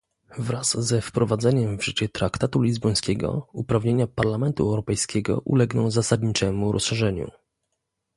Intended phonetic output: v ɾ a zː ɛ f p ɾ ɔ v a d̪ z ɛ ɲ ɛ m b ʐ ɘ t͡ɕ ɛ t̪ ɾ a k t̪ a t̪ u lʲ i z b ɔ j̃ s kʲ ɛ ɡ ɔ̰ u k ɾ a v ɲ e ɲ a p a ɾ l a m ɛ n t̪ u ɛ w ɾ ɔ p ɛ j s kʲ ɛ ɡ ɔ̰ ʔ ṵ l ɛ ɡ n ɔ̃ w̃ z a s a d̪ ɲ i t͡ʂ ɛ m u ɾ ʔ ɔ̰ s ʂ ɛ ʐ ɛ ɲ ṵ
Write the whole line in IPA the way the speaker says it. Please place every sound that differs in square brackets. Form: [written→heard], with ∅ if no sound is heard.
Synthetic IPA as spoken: v ɾ a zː ɛ f p ɾ ɔ v a d̪ z ɛ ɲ ɛ m [b→v] ʐ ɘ t͡ɕ ɛ t̪ ɾ a k t̪ a t̪ u lʲ i z b ɔ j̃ s kʲ ɛ ɡ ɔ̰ u [k→p] ɾ a v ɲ e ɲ a p a ɾ l a m ɛ n t̪ u ɛ w ɾ ɔ p ɛ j s kʲ ɛ ɡ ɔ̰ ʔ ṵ l ɛ ɡ n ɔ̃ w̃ z a s a d̪ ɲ i t͡ʂ ɛ m u ɾ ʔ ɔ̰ s ʂ ɛ ʐ ɛ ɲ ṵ